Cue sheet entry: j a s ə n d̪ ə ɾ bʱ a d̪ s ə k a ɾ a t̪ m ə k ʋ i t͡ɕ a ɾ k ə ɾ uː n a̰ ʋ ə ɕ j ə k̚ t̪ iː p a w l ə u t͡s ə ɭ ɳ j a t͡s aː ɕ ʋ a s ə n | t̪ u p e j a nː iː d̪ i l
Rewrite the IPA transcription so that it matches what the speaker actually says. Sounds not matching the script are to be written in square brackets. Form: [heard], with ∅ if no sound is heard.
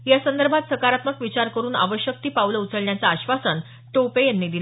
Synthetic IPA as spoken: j a s ə n d̪ ə ɾ bʱ a [t̪] s ə k a ɾ a t̪ m ə k ʋ i t͡ɕ a ɾ k ə ɾ uː n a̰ ʋ ə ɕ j ə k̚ t̪ iː p a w l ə u t͡s ə ɭ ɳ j a t͡s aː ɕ ʋ a s ə n | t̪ [o] p e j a nː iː d̪ i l